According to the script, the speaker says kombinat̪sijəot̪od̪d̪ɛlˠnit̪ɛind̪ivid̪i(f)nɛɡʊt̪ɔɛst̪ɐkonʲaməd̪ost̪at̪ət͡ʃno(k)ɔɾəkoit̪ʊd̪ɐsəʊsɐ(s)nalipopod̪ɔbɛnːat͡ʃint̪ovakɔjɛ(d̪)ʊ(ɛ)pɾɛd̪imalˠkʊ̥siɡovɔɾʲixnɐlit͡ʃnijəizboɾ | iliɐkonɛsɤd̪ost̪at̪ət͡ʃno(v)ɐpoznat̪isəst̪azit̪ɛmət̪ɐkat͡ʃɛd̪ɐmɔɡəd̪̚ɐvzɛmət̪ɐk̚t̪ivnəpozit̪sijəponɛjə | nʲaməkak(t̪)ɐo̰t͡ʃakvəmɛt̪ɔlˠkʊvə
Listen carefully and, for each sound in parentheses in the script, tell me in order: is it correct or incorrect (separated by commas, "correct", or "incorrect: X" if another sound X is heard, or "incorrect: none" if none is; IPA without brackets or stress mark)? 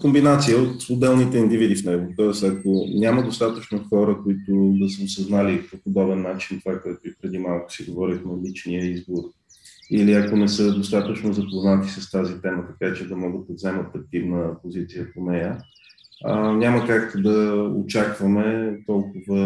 correct, incorrect: x, incorrect: z, incorrect: t̪, incorrect: i, incorrect: z, incorrect: d̪